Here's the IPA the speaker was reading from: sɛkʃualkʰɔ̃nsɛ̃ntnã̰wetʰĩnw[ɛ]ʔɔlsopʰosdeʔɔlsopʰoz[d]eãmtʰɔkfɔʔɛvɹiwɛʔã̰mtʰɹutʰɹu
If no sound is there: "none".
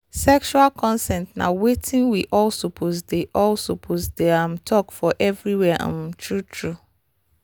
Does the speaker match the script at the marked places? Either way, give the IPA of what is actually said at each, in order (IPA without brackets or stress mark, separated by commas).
i, d